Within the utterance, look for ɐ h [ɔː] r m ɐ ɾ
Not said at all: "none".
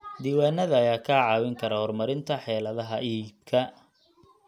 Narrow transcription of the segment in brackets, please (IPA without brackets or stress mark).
ɔ